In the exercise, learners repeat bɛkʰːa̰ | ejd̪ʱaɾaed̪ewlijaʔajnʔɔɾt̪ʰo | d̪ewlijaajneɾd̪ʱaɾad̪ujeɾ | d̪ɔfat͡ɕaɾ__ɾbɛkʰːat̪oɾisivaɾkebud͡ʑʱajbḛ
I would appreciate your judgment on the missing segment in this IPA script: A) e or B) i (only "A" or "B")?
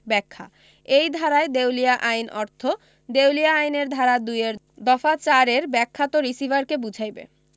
A